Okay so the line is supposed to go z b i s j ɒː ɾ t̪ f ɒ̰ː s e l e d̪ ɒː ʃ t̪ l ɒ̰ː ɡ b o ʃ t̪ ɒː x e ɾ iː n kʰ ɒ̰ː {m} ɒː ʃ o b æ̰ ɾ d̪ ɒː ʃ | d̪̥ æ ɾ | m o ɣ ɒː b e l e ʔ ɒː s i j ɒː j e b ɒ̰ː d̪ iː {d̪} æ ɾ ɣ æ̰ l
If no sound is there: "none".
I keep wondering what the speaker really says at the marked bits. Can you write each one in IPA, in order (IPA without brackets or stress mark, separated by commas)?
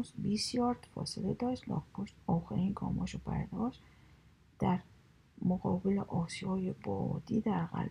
m, d̪